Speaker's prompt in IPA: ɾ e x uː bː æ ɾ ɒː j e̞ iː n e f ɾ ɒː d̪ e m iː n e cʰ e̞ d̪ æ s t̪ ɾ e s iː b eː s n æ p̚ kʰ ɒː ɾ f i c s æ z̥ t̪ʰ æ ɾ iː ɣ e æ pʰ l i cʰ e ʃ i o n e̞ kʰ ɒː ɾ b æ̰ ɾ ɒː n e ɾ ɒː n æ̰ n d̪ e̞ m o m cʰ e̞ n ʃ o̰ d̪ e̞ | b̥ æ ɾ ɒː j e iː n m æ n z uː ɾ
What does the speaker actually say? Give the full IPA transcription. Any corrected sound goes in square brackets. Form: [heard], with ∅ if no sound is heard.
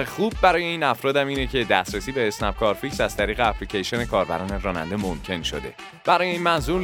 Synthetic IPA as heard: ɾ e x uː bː æ ɾ ɒː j e̞ iː n [æ] f ɾ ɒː d̪ [æ] m iː n e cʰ e̞ d̪ æ s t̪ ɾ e s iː b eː s n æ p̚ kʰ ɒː ɾ f i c s æ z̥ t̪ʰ æ ɾ iː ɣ e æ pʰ l i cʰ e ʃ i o n e̞ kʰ ɒː ɾ b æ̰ ɾ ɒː n e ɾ ɒː n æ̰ n d̪ e̞ m o m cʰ e̞ n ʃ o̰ d̪ e̞ | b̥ æ ɾ ɒː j e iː n m æ n z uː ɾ